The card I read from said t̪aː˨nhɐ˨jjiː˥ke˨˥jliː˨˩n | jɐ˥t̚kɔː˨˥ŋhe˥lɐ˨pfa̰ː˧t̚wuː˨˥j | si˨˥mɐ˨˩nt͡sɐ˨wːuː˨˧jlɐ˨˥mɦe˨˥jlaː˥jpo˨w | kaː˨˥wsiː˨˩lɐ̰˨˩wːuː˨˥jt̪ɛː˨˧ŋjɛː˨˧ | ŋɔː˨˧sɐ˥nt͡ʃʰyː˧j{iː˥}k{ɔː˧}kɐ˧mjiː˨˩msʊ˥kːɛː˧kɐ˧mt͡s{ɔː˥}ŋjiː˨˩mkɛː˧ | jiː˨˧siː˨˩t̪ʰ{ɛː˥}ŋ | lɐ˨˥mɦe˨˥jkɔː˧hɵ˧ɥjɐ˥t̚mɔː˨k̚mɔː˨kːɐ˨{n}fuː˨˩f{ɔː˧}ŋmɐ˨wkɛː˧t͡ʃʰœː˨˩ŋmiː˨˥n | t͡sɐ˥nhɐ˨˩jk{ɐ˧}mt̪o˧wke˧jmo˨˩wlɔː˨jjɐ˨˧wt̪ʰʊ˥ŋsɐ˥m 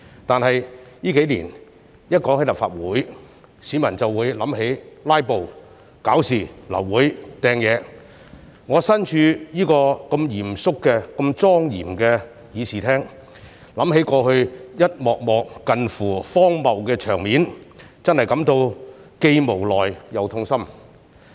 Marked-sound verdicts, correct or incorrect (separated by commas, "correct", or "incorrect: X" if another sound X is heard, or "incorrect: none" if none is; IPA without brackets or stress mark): correct, correct, correct, correct, correct, incorrect: ɔː˥, incorrect: ɐ˨˥